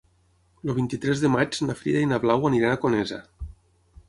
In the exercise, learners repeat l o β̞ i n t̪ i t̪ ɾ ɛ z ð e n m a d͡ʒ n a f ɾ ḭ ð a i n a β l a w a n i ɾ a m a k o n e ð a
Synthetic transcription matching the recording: l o β̞ i n t̪ i t̪ ɾ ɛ z ð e m a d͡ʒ n a f ɾ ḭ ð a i n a β l a w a n i ɾ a n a k o n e z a

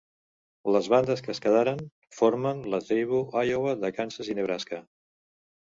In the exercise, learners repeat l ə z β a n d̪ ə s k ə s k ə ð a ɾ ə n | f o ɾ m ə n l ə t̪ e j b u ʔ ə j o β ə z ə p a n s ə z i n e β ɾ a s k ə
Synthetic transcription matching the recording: l ə z β a n d̪ ə s k ə s k ə ð a ɾ ə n | f o ɾ m ə n l ə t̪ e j β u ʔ a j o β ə ð ə k a n s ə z i n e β ɾ a s k ə

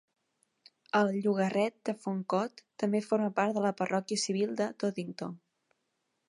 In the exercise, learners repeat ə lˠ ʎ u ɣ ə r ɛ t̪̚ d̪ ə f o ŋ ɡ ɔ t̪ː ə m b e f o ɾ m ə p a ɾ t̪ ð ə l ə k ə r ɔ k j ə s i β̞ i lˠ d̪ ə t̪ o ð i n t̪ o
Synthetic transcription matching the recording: ə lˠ ʎ u ɣ ə r ɛ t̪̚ d̪ ə f o ŋ k ɔ t̪ː ə m b e f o ɾ m ə p a ɾ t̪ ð ə l ə p ə r ɔ k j ə s i β̞ i lˠ d̪ ə t̪ o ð i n t̪ o

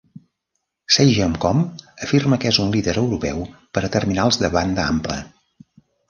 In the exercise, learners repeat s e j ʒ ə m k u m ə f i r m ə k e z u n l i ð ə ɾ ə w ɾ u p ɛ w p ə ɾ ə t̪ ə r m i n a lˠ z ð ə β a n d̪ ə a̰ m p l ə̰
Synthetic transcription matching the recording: s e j ʒ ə m k ɔ m ə f i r m ə k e z u n l i ð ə ɾ ə w ɾ u p ɛ w p ə ɾ ə t̪ ə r m i n a lˠ z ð ə β a n d̪ ə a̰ m p l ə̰

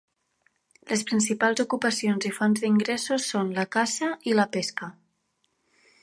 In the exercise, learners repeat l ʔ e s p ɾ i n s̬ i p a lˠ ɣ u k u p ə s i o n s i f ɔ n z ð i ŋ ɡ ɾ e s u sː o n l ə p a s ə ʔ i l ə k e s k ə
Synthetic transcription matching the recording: l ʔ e s p ɾ i n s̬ i p a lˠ z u k u p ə s i o n z i f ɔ n z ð i ŋ ɡ ɾ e s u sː o n l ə k a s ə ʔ i l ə p e s k ə

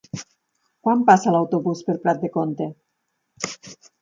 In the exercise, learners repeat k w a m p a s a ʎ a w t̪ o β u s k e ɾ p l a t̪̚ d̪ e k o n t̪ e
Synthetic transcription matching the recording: k w a m p a s a l a w t̪ o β u s p e ɾ p ɾ a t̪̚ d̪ e k o n t̪ e

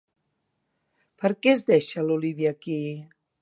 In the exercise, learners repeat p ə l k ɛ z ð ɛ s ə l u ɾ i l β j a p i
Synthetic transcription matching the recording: p ə ɾ k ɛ z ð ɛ ʃ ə l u l i β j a k i

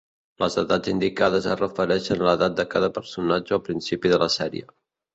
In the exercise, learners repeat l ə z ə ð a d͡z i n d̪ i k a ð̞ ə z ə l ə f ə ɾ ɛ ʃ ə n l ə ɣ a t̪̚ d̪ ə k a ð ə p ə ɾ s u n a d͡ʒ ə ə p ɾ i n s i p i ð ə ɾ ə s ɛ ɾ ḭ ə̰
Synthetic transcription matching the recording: l ə z ə ð a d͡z i n d̪ i k a ð̞ ə z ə r ə f ə ɾ ɛ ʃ ə n l ə ð a t̪̚ d̪ ə k a ð ə p ə ɾ s u n a d͡ʒ ə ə p ɾ i n s i p i ð ə l ə s ɛ ɾ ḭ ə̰

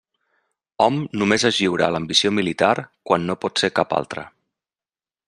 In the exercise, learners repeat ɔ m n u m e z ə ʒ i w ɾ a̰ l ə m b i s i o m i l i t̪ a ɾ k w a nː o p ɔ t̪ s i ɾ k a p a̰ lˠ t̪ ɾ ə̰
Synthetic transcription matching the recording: ɔ m n u m e z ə ʒ i w ɾ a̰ l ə m b i s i o m i l i t̪ a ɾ k w a nː o p ɔ t̪ s e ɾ k a p a̰ lˠ t̪ ɾ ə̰

